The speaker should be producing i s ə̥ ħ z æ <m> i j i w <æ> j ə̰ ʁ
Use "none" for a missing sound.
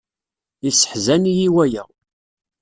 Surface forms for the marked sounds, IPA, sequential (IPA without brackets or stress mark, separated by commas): n, æ